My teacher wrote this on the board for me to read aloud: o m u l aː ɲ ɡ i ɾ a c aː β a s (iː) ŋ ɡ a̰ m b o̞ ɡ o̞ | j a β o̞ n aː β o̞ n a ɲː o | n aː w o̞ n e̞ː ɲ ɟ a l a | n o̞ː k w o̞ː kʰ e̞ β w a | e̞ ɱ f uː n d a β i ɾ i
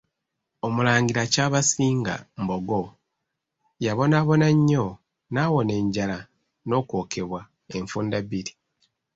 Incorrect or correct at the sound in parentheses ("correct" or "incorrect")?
correct